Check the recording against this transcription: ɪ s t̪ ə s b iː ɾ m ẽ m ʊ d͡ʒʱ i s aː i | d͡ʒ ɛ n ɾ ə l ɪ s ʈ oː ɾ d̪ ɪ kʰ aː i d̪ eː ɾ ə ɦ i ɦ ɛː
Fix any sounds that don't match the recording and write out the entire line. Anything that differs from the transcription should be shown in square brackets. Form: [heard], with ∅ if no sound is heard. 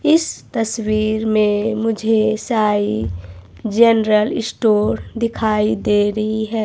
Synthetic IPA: ɪ s t̪ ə s [w] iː ɾ m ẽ m ʊ d͡ʒʱ [e] s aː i | d͡ʒ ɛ n ɾ ə l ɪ s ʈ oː ɾ d̪ ɪ kʰ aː i d̪ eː ɾ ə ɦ i ɦ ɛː